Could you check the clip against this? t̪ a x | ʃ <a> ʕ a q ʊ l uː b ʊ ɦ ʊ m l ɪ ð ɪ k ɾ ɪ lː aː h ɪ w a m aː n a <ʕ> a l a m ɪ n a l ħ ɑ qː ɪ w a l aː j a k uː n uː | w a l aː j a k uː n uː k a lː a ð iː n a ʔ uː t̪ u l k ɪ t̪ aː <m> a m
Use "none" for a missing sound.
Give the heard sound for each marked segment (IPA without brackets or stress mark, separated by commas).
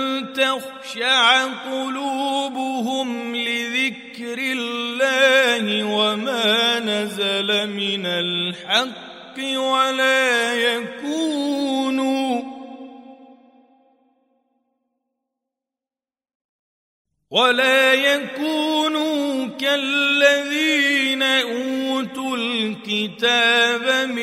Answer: a, z, b